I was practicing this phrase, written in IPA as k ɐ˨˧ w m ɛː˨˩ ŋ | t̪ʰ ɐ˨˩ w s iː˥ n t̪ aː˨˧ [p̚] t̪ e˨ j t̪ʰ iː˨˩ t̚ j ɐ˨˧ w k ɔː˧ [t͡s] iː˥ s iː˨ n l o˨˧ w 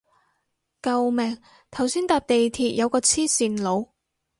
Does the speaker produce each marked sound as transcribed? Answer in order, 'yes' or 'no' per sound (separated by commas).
yes, no